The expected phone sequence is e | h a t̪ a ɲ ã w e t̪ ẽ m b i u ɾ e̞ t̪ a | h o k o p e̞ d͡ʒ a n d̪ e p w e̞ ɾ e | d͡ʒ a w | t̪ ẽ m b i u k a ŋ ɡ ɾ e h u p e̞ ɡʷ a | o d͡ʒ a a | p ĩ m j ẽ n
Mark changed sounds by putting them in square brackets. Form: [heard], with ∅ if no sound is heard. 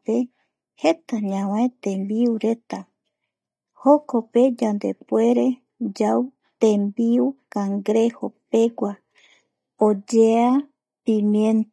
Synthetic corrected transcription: e | h [e] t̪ a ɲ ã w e t̪ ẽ m b i u ɾ e̞ t̪ a | h o k o p e̞ d͡ʒ a n d̪ e p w e̞ ɾ e | d͡ʒ a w | t̪ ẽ m b i u k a ŋ ɡ ɾ e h [o] p e̞ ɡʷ a | o d͡ʒ [e] a | p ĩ m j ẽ n

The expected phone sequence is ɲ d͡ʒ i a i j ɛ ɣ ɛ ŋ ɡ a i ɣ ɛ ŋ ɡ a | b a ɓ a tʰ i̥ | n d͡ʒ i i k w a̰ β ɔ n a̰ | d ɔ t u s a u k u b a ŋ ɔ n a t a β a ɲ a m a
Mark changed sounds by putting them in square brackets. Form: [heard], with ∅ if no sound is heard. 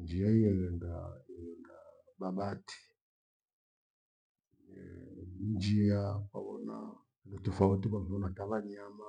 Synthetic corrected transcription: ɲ d͡ʒ i a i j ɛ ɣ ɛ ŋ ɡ a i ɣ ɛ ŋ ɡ a | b a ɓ a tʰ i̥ | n d͡ʒ i [a] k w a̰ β ɔ n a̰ | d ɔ t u [f] a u [t] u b a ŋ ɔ n a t a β a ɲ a m a

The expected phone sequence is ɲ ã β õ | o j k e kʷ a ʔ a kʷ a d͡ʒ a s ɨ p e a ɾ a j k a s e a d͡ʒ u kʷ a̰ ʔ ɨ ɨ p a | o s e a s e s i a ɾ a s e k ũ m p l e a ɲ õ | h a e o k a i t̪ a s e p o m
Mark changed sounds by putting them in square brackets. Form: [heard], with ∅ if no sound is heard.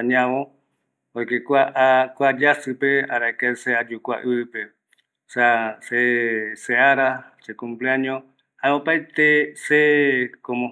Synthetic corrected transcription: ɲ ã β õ | o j k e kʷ a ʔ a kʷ a d͡ʒ a s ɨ p e a ɾ a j k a s e a d͡ʒ u kʷ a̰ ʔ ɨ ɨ p [e] | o s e a s e s [e] a ɾ a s e k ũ m p l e a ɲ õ | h a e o [p] a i t̪ [e] s e [k] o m

